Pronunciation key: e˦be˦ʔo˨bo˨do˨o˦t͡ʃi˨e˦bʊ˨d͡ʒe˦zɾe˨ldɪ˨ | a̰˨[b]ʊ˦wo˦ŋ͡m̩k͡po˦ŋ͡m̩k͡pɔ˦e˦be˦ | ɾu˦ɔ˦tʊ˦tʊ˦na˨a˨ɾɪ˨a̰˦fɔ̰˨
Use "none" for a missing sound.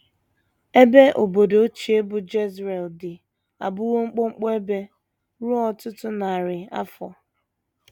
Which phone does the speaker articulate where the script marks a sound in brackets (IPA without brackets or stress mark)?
b